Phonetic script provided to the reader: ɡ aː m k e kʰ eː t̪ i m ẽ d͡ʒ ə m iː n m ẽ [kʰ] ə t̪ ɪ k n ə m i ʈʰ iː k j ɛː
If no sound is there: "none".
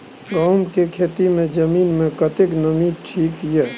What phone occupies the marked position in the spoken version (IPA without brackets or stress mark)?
k